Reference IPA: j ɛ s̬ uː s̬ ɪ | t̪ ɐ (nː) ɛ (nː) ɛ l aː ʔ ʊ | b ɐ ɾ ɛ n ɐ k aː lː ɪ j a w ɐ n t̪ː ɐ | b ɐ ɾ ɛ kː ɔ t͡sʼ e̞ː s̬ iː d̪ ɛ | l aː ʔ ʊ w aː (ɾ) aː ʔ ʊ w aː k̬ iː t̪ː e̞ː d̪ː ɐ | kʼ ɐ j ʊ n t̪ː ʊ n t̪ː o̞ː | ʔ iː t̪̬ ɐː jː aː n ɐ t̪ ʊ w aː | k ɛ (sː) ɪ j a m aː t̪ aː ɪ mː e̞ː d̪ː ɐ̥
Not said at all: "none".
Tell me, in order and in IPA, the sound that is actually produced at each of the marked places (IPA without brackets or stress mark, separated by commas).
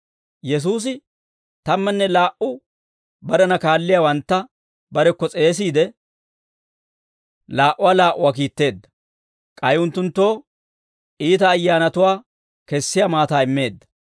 mː, nː, l, sː